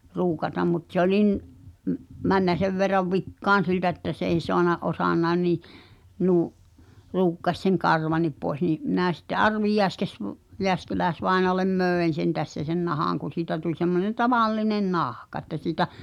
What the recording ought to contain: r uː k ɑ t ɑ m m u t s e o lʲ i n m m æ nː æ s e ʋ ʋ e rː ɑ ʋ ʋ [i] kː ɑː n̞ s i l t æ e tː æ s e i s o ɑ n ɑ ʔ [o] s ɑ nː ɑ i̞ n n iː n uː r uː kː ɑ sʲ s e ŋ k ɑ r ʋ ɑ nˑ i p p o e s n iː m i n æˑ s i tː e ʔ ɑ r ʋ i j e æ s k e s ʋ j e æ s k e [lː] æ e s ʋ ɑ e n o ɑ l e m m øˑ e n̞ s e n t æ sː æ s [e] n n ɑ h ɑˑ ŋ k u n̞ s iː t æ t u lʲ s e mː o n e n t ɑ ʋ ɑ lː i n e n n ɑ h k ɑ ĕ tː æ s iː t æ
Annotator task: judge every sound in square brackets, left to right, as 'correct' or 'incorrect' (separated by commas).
correct, correct, incorrect, correct